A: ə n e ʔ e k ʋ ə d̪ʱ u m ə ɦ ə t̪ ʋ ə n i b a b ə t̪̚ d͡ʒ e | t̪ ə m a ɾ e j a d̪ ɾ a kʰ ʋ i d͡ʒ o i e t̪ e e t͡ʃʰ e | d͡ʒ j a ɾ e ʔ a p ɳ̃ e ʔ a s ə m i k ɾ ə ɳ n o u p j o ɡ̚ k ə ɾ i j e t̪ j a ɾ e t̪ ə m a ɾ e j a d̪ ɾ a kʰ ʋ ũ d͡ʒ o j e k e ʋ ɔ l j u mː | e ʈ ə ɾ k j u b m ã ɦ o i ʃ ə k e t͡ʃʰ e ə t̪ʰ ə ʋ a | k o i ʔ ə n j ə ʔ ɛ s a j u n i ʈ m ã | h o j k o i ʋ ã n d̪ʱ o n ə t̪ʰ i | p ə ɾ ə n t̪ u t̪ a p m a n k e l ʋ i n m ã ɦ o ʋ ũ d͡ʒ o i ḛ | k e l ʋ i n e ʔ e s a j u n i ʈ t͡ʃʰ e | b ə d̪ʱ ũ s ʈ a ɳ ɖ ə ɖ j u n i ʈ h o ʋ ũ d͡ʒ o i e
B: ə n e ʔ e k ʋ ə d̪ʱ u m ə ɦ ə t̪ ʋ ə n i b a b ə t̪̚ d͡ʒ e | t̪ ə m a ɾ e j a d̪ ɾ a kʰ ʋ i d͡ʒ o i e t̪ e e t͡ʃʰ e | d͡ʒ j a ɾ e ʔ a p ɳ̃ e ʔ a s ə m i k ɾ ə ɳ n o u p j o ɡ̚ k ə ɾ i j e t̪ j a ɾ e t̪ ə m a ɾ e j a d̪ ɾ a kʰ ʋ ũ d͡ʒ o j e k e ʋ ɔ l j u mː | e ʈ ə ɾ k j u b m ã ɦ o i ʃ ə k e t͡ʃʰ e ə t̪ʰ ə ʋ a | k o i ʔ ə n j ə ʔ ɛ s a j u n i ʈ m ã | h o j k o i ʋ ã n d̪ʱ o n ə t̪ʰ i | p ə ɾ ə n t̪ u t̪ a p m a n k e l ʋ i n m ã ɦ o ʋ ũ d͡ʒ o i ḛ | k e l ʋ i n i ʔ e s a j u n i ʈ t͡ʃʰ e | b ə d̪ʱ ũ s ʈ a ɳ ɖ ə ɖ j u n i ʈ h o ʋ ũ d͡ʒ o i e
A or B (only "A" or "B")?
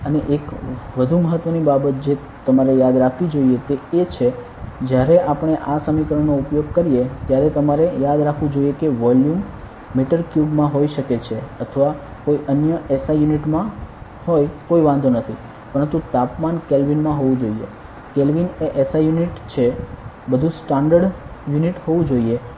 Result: A